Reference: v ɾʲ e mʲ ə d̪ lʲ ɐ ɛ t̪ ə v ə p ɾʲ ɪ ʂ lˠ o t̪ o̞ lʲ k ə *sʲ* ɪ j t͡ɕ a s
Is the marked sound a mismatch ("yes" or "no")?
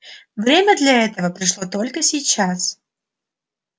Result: no